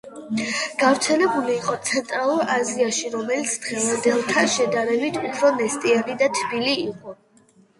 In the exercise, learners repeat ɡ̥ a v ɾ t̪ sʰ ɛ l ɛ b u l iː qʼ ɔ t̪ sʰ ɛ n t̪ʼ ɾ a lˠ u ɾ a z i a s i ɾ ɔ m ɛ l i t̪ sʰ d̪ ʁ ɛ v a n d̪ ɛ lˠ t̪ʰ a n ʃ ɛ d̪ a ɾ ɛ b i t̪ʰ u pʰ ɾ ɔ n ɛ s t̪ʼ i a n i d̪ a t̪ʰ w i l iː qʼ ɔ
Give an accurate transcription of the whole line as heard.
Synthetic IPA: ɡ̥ a v ɾ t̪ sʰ ɛ l ɛ b u l iː qʼ ɔ t̪ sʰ ɛ n t̪ʼ ɾ a lˠ u ɾ a z i a ʃ i ɾ ɔ m ɛ l i t̪ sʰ d̪ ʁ ɛ v a n d̪ ɛ lˠ t̪ʰ a n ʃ ɛ d̪ a ɾ ɛ b i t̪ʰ u pʰ ɾ ɔ n ɛ s t̪ʼ i a n i d̪ a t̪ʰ b i l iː qʼ ɔ